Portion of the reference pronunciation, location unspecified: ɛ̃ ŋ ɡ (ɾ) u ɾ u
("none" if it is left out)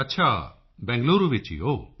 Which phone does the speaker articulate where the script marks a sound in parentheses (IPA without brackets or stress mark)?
l